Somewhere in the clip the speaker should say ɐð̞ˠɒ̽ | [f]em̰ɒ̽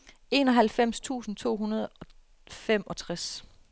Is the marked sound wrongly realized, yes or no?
no